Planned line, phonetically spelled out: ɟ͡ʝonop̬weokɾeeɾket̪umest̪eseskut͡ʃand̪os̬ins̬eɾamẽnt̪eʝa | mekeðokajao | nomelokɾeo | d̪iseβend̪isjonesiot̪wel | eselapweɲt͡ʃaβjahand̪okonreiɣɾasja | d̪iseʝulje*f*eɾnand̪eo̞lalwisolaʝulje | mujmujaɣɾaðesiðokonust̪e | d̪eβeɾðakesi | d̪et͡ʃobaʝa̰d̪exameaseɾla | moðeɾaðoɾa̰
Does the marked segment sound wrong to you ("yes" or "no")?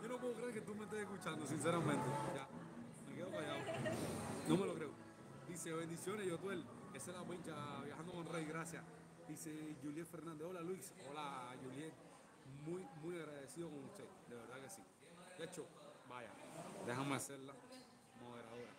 no